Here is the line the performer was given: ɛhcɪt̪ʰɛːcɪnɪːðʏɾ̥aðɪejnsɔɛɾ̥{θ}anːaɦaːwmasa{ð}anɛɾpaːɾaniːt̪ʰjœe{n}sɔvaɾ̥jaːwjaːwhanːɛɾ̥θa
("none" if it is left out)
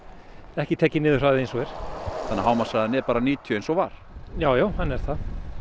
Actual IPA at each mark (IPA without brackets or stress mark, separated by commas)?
θ, ð, n